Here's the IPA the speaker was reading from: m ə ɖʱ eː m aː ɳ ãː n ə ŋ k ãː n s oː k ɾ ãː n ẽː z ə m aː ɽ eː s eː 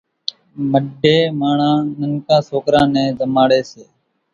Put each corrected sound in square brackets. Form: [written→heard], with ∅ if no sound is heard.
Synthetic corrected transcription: m ə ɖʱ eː m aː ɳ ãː n ə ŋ k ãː [n→∅] s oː k ɾ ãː n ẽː z ə m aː ɽ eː s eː